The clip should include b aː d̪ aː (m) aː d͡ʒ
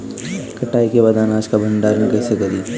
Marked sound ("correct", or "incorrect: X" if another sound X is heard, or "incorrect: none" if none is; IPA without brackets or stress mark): incorrect: n